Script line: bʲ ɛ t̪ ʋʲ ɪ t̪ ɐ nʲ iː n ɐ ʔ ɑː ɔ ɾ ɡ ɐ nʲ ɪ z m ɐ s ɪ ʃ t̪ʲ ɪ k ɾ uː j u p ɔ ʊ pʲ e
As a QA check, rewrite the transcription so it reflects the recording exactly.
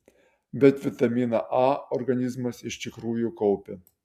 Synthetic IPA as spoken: bʲ ɛ t̪ ʋʲ ɪ t̪ ɐ mʲ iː n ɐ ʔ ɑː ɔ ɾ ɡ ɐ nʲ ɪ z m ɐ s ɪ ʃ t̪ʲ ɪ k ɾ uː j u k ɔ ʊ pʲ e